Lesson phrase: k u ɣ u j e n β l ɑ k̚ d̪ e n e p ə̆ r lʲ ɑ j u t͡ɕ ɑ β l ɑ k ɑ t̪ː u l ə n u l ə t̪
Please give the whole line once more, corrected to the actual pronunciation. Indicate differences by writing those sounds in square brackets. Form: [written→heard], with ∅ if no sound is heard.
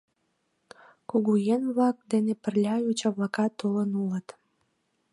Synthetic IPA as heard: k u ɣ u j e n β l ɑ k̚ d̪ e n e p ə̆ r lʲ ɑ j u t͡ɕ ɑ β l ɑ k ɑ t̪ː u l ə n u l ə t̪